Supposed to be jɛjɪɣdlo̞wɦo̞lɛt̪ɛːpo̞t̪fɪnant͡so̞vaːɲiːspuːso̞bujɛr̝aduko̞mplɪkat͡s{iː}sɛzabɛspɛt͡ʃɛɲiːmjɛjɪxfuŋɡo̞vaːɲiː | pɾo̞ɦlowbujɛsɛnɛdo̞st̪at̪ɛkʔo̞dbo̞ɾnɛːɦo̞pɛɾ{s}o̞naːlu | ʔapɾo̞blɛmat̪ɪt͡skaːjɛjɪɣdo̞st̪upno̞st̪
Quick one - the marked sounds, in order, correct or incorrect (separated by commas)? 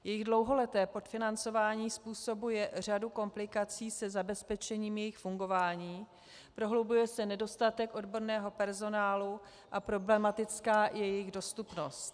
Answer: correct, incorrect